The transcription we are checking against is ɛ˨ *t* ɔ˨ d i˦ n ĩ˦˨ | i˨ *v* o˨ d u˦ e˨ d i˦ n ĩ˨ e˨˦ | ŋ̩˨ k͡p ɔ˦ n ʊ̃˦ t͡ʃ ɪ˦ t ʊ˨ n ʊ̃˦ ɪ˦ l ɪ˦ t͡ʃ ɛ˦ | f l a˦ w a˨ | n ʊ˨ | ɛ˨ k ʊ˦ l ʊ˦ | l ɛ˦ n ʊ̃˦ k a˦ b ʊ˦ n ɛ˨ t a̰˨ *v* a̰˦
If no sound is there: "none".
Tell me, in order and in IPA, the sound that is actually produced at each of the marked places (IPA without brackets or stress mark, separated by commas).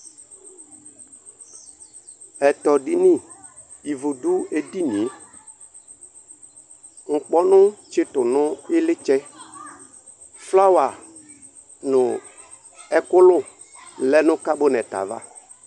t, v, v